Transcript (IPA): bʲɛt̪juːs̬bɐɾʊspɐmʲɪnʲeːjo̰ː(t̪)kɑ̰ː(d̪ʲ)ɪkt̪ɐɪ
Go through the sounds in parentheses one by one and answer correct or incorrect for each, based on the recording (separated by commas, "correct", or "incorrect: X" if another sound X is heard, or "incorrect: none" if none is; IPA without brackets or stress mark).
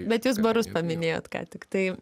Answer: correct, incorrect: t̪ʲ